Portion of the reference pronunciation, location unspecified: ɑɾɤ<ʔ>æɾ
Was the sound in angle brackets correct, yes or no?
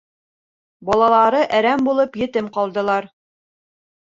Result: yes